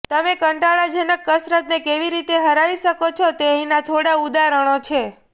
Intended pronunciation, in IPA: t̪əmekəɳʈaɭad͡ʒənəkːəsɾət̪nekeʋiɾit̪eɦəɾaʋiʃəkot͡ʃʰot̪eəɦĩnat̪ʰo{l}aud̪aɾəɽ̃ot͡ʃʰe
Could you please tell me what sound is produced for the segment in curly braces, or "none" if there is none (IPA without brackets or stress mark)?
ɽ